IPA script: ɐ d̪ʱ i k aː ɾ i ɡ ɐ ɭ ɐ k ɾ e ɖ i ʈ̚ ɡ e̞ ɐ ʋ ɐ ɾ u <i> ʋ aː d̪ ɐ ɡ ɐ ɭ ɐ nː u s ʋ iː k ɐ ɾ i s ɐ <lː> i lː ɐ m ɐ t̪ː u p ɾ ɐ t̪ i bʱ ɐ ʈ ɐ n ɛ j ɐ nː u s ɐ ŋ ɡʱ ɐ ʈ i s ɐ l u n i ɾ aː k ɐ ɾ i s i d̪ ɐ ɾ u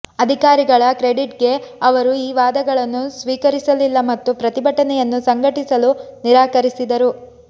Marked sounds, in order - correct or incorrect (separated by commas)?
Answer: incorrect, incorrect